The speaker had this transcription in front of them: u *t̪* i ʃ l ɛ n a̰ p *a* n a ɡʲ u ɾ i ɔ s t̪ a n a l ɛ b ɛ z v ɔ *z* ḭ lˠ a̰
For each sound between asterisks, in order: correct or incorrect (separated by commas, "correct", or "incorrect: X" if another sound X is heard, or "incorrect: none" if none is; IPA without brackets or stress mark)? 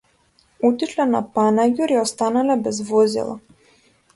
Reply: correct, correct, correct